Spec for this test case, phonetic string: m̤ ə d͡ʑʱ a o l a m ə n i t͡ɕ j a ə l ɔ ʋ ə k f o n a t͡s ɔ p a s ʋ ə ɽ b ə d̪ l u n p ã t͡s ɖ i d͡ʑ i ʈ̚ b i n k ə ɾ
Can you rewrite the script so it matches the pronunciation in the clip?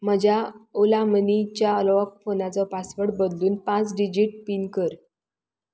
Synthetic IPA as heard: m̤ ə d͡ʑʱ a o l a m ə n i t͡ɕ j a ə l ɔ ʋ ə k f o n a t͡s ɔ p a s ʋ ə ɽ b ə d̪ l uː n p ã t͡s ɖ i d͡ʑ i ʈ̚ p i n k ə ɾ